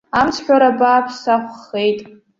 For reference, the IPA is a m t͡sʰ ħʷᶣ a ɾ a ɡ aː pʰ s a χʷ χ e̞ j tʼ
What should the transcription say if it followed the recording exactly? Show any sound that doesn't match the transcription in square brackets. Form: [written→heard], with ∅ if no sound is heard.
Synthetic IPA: a m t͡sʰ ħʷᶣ a ɾ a [ɡ→b] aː pʰ s a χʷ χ e̞ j tʼ